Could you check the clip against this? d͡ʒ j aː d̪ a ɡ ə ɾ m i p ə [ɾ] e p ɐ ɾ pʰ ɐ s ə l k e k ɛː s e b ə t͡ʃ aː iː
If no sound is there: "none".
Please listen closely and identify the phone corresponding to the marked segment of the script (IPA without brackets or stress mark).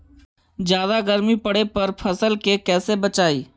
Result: ɽ